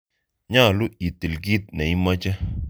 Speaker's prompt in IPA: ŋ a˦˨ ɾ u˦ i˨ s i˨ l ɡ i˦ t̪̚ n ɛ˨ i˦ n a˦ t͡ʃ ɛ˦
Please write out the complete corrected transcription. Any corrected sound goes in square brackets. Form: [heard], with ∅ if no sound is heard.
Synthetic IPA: [ɲ] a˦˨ [l] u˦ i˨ [t] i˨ l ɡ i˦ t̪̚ n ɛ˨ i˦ [m] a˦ t͡ʃ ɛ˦